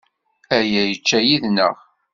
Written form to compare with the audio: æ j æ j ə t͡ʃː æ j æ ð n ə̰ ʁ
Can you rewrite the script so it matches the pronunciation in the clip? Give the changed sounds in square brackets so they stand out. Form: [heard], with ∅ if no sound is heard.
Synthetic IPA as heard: æ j æ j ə t͡ʃː æ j [i] ð n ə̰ ʁ

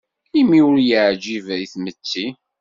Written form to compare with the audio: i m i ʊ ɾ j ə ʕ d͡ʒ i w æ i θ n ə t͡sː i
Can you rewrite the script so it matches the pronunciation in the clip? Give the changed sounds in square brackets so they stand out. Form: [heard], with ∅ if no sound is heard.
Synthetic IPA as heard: i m i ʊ ɾ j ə ʕ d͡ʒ i [v] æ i θ [m] ə t͡sː i

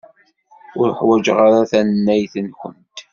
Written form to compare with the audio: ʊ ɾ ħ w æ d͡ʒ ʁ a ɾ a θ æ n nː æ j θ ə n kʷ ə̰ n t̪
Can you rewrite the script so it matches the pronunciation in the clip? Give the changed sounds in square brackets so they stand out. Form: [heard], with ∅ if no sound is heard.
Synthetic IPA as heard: ʊ ɾ ħ w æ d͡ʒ ʁ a ɾ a θ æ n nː æ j θ ə n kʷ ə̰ n t̪

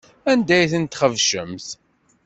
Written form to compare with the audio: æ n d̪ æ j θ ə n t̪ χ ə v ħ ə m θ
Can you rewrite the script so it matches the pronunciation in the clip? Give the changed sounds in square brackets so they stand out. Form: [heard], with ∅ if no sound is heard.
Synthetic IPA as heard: æ n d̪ æ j θ ə n t̪ χ ə v [ʃ] ə m θ

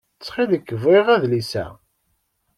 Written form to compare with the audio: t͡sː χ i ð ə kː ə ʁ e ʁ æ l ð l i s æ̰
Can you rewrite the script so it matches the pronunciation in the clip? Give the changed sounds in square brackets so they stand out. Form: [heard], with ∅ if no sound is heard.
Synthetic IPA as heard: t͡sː χ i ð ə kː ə [v] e ʁ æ [∅] ð l i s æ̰

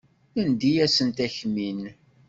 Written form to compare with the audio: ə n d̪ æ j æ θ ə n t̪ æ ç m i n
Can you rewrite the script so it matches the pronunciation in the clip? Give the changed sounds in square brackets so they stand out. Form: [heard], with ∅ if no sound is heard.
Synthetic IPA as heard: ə n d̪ [i] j æ [s] ə n t̪ æ ç m i n

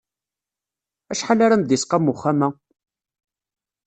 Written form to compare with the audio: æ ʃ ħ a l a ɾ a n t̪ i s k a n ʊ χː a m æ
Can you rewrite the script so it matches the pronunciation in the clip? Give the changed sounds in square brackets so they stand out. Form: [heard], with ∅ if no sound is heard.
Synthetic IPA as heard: æ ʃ ħ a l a ɾ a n [d̪] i s [q] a [m] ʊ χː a m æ

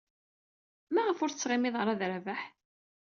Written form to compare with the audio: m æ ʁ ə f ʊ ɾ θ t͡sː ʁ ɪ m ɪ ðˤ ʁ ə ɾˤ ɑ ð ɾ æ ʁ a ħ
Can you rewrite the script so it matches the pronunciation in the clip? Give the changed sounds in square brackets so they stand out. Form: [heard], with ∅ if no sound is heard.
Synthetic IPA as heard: m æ ʁ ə f ʊ ɾ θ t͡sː ʁ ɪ m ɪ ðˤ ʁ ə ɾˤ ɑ ð ɾ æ [v] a ħ

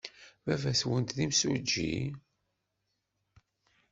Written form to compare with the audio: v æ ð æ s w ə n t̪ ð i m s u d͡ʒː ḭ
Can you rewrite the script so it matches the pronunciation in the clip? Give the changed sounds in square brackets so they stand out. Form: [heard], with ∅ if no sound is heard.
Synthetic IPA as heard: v æ [v] æ s w ə n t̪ ð i m s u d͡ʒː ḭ

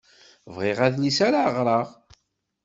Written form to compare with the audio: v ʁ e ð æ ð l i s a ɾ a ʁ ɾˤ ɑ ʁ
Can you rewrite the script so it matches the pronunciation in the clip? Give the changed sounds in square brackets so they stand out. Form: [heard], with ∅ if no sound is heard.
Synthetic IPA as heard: v ʁ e [ʁ] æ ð l i s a ɾ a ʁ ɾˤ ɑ ʁ

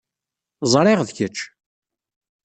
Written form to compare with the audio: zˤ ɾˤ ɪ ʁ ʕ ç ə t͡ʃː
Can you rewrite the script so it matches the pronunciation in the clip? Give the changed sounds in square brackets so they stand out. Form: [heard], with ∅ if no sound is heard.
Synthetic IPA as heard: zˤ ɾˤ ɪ ʁ [ð] ç ə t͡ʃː

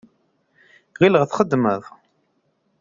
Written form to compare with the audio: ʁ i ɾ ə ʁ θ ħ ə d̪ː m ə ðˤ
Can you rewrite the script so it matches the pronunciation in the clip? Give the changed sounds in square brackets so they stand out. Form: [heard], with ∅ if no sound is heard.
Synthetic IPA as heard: ʁ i [l] ə ʁ θ [χ] ə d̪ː m ə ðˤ

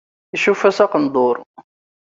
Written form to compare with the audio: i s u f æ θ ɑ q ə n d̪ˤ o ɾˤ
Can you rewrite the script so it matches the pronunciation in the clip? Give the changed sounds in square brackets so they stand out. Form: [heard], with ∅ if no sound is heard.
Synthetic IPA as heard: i [ʃ] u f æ [s] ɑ q ə n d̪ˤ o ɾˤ

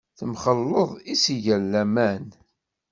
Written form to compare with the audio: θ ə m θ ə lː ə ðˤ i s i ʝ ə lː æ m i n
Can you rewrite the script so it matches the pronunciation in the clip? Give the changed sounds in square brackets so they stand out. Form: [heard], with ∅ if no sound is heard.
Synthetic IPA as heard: θ ə m [χ] ə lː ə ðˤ i s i ʝ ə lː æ m [æ] n

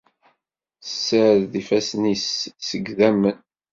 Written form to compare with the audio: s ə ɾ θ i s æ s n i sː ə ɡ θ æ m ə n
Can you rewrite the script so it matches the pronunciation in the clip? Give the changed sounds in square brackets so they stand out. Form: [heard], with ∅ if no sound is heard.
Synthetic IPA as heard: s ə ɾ [ð] i [f] æ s n i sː ə ɡ [ð] æ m ə n

